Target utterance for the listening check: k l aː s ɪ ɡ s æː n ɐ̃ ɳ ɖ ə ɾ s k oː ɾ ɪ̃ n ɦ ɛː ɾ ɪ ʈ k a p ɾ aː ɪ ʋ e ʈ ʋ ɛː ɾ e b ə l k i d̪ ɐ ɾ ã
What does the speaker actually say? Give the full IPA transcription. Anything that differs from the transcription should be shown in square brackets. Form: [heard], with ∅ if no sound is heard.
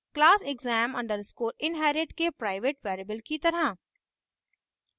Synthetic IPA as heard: k l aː s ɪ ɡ [z] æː [m] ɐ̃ ɳ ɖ ə ɾ s k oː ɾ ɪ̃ n ɦ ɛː ɾ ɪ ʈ k [e] p ɾ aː ɪ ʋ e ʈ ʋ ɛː ɾ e b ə l k i [t̪] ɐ ɾ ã